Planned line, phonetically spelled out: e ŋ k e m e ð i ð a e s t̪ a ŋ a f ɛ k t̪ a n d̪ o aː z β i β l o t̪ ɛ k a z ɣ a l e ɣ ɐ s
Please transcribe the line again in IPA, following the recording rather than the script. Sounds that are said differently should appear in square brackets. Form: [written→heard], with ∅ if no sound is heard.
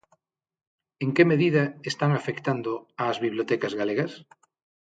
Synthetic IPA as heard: e ŋ k e m e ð i ð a e s t̪ a ŋ a f [ɛ→e] k t̪ a n d̪ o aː z β i β l o t̪ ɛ k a z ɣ a l e ɣ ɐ s